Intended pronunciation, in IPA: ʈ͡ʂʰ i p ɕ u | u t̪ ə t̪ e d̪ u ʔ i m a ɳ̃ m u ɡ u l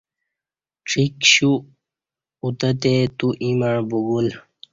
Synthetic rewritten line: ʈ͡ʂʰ i k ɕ u | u t̪ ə t̪ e t̪ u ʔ i m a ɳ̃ b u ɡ u l